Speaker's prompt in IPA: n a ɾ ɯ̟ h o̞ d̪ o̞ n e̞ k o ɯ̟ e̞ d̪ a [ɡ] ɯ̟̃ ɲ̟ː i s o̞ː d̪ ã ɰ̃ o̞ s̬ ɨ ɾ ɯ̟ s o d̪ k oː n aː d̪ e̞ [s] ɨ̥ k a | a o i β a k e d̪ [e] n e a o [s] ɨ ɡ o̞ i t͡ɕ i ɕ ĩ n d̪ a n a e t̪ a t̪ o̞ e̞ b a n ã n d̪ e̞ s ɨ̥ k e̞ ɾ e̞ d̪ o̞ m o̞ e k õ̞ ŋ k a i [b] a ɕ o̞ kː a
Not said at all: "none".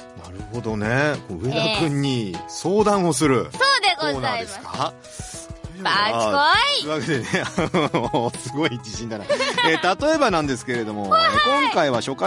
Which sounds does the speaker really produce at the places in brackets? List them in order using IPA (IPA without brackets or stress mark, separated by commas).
k, s, e, s, β